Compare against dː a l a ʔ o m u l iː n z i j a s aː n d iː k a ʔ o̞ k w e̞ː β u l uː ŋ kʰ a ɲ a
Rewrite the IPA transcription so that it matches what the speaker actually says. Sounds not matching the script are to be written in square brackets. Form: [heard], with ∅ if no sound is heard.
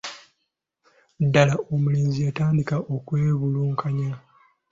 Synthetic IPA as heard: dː a l a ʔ o m u l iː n z i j a [t] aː n d [i] k a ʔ o̞ k w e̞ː β u l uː ŋ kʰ a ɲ a